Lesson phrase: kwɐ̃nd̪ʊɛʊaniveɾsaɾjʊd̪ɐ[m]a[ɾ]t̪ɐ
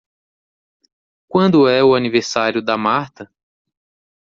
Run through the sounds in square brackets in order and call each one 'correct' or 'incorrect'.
correct, correct

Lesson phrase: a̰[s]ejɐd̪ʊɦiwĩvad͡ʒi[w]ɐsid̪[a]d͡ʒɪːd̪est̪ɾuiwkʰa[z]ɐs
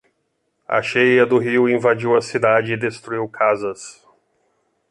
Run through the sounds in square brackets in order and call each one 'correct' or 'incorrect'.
incorrect, correct, correct, correct

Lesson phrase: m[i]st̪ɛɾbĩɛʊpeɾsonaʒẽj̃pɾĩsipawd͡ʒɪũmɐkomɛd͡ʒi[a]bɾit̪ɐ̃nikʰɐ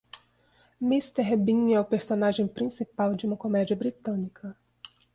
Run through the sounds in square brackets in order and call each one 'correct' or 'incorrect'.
correct, incorrect

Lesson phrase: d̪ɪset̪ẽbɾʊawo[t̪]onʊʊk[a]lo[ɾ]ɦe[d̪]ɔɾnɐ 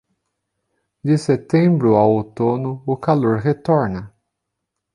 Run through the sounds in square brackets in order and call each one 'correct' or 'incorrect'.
correct, correct, correct, incorrect

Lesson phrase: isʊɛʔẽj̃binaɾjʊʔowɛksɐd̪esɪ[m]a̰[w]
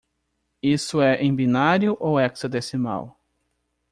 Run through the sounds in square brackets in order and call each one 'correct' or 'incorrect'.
correct, correct

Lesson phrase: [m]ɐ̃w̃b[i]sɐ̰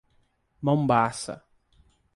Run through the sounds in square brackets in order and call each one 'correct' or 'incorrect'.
correct, incorrect

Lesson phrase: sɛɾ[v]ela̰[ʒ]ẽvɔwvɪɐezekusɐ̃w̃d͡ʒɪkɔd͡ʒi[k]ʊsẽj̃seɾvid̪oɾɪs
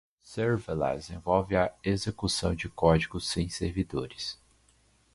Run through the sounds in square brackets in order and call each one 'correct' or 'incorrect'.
correct, incorrect, incorrect

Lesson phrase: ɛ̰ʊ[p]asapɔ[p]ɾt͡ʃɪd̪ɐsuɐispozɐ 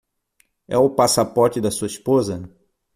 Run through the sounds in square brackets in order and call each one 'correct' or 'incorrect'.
correct, incorrect

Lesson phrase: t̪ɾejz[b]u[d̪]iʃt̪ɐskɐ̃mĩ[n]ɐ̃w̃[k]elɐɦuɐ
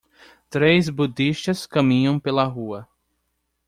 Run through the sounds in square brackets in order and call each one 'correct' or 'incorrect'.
correct, correct, incorrect, incorrect

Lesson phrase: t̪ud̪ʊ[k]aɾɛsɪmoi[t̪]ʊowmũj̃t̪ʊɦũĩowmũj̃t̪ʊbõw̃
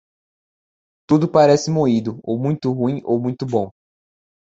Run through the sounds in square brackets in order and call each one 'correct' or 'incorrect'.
incorrect, incorrect

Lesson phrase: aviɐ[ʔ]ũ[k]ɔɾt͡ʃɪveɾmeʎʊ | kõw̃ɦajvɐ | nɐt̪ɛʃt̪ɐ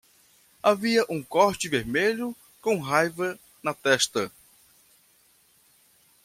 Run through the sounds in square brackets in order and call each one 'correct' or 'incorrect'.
correct, correct

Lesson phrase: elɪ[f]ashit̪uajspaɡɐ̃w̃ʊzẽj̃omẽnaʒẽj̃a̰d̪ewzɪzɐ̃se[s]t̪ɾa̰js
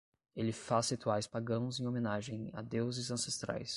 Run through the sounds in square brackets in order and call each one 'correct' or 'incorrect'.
correct, correct

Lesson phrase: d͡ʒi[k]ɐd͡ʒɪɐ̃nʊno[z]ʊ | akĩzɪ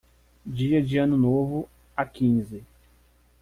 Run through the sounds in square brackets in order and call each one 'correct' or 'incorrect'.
incorrect, incorrect

